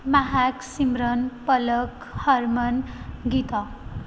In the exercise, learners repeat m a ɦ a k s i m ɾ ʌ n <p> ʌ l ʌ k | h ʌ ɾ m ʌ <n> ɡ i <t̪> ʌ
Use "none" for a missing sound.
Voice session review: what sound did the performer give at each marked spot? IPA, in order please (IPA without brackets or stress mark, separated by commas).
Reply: p, n, t̪